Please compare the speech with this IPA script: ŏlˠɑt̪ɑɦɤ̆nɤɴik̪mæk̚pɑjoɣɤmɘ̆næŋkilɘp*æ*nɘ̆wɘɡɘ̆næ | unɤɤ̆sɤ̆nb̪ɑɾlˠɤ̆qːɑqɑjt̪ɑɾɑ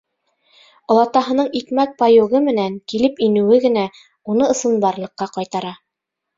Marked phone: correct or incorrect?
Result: incorrect: i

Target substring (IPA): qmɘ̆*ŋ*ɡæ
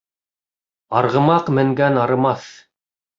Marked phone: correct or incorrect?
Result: correct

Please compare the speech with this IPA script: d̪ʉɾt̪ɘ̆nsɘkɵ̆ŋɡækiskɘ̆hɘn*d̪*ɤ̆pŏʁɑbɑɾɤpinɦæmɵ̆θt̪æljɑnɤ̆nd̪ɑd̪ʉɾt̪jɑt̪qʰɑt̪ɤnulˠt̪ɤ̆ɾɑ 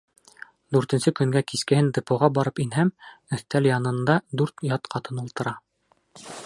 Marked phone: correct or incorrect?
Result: correct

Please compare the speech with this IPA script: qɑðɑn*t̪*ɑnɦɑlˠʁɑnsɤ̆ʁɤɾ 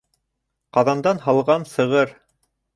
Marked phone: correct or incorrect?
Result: incorrect: d̪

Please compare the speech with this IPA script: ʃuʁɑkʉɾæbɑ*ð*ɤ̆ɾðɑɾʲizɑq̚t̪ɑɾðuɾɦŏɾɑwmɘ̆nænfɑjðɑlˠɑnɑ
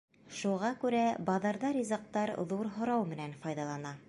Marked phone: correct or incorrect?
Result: correct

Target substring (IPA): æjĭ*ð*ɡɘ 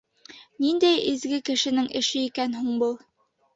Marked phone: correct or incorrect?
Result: incorrect: z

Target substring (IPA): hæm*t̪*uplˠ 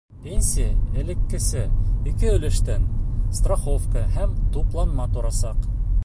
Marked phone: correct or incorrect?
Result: correct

